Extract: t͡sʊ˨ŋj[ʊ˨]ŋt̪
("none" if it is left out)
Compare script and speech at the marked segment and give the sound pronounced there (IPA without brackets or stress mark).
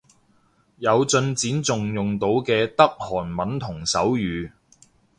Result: ʊ˨